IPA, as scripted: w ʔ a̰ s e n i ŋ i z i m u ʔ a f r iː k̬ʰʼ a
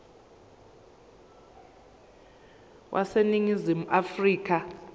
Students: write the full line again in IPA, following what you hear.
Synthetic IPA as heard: w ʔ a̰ s e n i ŋ i z i m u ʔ a f r iː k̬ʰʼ a